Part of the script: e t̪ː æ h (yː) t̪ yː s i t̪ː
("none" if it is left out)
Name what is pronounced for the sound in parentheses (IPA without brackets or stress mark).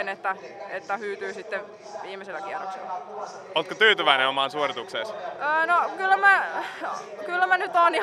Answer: yː